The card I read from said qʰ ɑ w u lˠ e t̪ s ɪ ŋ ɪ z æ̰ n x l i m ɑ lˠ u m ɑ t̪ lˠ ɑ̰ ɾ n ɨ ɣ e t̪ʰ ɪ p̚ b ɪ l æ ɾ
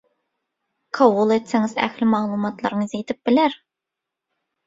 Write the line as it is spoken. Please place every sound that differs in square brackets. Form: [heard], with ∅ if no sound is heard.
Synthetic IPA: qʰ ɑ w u lˠ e t̪ s ɪ ŋ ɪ z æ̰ [∅] x l [ɪ] m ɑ lˠ u m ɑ t̪ lˠ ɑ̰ ɾ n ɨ [z] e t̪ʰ ɪ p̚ b ɪ l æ ɾ